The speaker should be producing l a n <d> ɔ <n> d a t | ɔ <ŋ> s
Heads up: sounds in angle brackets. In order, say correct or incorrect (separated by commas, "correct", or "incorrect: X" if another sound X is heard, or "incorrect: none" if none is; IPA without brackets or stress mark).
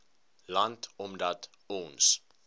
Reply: incorrect: t, incorrect: m, incorrect: n